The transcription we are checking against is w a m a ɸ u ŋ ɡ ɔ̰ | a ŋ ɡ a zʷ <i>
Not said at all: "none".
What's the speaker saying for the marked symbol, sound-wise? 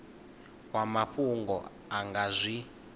i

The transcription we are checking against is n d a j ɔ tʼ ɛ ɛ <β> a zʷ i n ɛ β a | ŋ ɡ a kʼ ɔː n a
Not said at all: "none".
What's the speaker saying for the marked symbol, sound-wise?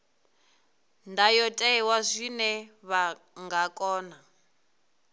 w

